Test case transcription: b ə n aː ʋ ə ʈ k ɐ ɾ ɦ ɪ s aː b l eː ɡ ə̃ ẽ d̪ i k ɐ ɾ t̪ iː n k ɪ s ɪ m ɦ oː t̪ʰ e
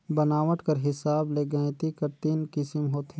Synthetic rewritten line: b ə n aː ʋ ə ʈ k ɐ ɾ ɦ ɪ s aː b l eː ɡ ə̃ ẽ t̪ i k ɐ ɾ t̪ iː n k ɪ s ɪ m ɦ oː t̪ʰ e